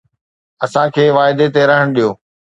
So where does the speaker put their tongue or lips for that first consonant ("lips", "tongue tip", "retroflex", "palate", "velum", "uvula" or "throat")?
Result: tongue tip